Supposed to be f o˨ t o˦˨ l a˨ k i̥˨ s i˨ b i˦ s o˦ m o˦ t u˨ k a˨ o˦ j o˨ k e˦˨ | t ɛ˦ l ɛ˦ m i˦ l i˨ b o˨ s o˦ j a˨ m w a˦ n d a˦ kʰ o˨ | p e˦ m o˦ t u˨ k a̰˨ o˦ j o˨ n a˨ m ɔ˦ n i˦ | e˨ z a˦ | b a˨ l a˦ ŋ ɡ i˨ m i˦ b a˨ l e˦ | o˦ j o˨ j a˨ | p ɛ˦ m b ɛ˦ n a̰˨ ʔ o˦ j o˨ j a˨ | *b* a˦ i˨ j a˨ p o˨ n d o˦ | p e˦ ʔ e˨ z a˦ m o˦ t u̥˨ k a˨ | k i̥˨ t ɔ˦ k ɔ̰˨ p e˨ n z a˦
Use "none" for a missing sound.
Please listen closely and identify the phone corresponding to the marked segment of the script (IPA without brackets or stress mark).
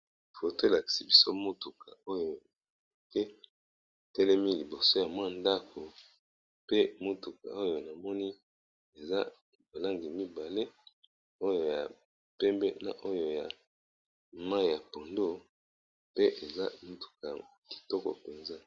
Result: m